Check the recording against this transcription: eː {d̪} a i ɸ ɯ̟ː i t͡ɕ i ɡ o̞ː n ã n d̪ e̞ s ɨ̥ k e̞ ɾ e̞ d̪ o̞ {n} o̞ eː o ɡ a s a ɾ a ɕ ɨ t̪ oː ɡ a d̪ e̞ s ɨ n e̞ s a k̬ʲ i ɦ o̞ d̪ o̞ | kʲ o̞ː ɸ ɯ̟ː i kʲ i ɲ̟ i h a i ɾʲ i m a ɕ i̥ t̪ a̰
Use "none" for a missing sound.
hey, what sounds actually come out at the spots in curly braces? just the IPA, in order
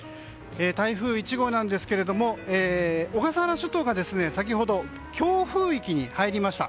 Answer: t̪, m

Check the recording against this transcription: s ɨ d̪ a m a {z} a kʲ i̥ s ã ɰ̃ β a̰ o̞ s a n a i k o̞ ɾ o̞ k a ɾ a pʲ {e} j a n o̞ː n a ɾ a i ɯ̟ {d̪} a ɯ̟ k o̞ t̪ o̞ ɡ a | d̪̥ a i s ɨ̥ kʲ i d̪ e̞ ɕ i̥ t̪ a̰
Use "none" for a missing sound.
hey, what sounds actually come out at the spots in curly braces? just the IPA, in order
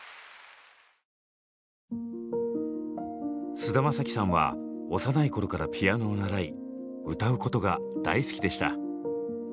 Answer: s, i, t̪

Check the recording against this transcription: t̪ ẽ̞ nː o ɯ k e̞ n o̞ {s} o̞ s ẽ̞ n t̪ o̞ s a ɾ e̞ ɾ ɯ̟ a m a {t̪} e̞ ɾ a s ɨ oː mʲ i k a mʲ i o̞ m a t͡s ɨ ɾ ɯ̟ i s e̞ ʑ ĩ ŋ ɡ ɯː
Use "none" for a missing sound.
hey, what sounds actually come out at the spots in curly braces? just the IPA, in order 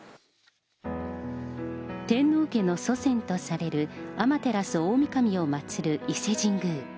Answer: s, t̪

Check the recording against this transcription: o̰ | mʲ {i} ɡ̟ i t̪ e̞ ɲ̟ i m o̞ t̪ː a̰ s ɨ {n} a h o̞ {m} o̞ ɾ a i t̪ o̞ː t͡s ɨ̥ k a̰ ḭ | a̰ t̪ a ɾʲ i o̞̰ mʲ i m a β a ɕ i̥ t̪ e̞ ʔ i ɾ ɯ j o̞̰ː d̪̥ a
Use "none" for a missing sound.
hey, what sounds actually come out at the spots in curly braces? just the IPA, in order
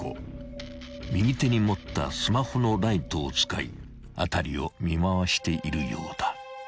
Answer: i, m, n

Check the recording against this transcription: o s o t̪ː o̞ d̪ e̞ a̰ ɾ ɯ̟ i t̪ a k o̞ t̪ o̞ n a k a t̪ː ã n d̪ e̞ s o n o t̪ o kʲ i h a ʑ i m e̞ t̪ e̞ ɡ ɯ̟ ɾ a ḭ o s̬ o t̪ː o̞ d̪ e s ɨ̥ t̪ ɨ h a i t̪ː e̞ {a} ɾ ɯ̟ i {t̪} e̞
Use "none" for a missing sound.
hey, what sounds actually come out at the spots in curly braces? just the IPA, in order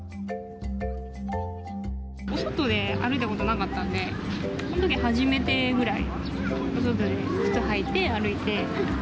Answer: a, t̪

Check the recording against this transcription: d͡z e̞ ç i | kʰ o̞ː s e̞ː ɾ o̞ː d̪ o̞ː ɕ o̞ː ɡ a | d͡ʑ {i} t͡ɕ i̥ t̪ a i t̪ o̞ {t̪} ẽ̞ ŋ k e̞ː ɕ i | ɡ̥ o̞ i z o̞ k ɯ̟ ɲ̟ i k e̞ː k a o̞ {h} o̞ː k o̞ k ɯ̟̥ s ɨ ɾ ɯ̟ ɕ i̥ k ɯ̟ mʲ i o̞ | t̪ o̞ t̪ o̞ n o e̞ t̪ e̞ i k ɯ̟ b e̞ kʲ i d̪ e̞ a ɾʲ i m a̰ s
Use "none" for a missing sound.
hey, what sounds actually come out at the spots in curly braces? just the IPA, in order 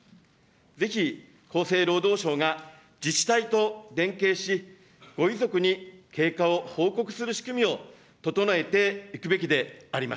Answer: i, d̪, h

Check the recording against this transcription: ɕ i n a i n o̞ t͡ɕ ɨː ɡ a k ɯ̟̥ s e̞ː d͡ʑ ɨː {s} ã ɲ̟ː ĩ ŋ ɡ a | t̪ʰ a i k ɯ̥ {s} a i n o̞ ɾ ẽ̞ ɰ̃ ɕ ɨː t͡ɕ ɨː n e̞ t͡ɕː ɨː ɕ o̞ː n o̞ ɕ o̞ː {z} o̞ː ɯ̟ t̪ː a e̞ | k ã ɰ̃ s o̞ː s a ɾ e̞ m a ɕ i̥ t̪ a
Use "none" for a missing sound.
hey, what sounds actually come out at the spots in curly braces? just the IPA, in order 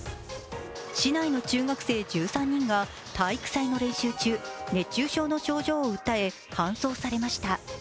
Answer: s, s, ʑ

